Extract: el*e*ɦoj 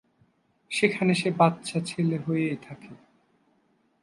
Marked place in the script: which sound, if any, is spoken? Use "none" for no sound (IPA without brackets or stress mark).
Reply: e